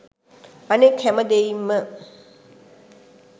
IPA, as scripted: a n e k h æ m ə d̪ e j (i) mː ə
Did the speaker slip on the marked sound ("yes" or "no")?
no